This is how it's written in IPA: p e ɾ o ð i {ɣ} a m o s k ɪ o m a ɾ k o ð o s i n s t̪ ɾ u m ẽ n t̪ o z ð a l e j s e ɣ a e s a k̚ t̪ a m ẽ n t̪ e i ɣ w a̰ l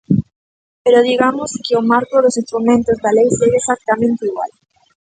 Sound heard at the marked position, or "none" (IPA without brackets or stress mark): ɣ